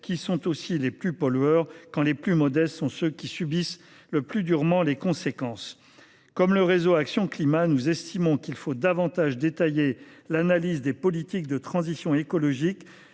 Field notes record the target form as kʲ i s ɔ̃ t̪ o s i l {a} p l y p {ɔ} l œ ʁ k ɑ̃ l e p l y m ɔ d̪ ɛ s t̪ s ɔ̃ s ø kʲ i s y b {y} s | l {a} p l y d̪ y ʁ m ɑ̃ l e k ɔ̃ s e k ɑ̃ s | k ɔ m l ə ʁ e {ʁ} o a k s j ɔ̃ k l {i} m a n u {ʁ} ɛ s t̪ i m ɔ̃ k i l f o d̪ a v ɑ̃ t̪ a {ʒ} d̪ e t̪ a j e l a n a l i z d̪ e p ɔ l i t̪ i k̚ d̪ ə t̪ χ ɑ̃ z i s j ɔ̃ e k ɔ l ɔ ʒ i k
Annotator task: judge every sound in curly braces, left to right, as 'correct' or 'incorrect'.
incorrect: e, correct, incorrect: i, incorrect: ə, incorrect: z, correct, incorrect: z, correct

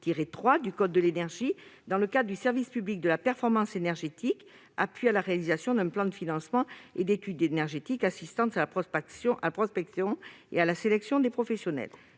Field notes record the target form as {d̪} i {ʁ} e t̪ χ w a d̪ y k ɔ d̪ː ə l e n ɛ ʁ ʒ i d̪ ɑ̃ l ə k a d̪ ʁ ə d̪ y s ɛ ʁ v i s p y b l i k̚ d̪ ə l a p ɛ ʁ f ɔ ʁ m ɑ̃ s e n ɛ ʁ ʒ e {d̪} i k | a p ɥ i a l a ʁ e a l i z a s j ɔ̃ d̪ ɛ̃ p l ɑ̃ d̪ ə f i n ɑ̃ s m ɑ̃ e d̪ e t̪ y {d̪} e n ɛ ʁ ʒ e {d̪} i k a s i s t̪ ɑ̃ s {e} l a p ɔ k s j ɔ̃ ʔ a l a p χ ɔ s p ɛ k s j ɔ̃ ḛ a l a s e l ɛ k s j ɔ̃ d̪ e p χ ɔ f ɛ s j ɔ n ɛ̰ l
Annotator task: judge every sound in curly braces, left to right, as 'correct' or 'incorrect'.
incorrect: t̪, correct, incorrect: t̪, correct, incorrect: t̪, incorrect: a

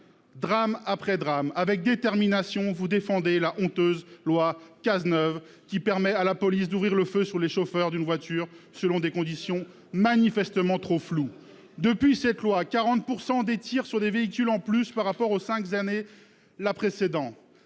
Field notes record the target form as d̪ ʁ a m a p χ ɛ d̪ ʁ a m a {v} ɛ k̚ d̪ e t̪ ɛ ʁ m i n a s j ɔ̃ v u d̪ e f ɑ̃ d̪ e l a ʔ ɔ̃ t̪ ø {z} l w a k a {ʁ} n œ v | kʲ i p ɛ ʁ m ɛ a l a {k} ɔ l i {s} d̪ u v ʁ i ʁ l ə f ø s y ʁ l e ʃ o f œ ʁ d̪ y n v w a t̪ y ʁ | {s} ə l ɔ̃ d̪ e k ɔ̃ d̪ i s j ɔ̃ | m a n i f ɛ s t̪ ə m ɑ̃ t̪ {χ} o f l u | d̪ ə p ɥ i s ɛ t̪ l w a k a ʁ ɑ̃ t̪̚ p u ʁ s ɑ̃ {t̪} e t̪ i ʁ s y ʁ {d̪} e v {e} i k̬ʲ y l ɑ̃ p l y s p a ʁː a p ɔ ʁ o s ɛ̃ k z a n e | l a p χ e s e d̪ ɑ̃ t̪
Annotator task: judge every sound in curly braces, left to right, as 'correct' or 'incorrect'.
correct, correct, incorrect: z, incorrect: p, correct, correct, correct, incorrect: d̪, correct, correct

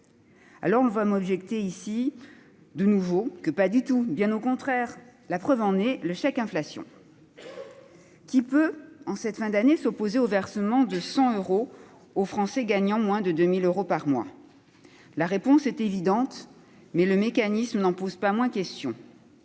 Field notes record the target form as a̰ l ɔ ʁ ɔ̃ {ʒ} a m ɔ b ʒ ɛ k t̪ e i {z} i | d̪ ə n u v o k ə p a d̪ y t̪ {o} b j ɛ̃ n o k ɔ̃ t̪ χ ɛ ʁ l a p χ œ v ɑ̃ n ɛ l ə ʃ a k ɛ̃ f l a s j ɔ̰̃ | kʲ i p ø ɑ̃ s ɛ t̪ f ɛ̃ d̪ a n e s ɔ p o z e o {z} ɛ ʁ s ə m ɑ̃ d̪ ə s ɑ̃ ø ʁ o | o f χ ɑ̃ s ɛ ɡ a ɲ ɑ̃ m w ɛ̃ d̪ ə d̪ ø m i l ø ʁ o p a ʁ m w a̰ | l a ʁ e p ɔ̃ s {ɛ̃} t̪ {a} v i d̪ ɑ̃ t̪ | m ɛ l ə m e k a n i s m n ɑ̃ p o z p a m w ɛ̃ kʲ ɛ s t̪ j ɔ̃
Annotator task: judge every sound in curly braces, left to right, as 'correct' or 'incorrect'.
incorrect: v, incorrect: s, incorrect: u, incorrect: v, incorrect: ɛ, incorrect: e

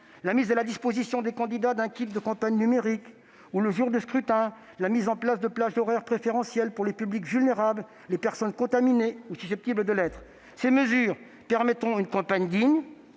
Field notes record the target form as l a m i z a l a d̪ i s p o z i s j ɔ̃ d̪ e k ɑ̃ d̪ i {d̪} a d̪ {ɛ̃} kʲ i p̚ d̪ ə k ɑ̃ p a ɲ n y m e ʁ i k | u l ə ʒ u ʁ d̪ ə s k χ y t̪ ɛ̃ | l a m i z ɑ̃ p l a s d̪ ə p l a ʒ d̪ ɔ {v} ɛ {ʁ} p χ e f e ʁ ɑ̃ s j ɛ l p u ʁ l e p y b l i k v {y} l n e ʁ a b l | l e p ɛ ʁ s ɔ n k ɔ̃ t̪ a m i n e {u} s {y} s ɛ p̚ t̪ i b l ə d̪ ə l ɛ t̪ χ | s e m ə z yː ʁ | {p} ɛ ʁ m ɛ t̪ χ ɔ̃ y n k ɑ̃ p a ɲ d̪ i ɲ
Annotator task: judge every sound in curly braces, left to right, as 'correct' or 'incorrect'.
correct, correct, incorrect: ʁ, correct, correct, correct, correct, correct

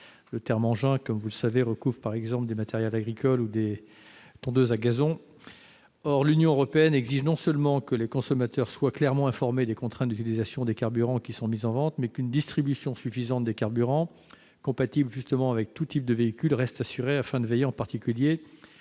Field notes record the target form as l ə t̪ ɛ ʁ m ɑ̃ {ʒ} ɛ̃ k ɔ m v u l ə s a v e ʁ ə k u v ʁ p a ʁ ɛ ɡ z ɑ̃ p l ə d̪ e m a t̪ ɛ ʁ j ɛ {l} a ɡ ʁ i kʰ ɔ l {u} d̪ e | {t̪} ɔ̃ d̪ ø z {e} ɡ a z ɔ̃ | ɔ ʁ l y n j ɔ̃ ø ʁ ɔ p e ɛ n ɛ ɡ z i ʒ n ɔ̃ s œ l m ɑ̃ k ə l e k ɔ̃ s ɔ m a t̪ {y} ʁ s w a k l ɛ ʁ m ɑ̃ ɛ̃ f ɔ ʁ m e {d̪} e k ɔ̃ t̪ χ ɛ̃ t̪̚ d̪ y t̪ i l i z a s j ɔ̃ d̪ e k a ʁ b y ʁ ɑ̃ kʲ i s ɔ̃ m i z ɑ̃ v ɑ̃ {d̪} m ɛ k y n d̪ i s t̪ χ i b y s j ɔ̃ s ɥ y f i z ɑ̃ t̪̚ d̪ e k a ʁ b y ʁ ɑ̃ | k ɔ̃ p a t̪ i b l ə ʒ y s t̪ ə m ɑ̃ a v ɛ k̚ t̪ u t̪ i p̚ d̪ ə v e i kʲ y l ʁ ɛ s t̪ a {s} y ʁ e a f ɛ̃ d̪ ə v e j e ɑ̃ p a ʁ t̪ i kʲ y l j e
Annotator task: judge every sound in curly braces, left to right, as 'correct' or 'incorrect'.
correct, correct, correct, correct, incorrect: a, incorrect: œ, correct, incorrect: t̪, correct

